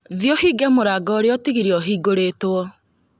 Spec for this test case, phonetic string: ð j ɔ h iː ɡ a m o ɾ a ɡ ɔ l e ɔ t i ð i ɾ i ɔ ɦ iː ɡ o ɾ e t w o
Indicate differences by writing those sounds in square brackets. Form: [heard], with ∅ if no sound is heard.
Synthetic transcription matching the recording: ð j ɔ h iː ɡ [ɛ] m o ɾ a ɡ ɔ [ɾ] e ɔ t i [ɣ] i ɾ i ɔ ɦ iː ɡ o ɾ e t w [ɔ]